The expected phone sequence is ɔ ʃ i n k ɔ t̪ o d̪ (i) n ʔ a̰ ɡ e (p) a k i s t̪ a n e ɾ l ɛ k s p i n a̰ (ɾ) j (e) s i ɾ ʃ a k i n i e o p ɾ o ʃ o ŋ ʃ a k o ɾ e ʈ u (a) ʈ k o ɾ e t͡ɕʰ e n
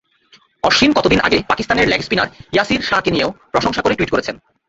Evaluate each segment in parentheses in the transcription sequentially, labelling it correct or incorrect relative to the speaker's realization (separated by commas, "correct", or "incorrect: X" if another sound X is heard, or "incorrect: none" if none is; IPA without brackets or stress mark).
correct, correct, correct, incorrect: a, incorrect: i